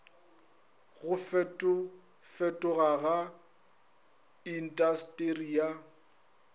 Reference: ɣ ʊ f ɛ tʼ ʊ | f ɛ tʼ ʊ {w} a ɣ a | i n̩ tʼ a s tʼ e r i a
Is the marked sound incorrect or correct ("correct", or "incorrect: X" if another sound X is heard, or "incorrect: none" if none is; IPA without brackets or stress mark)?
incorrect: ɣ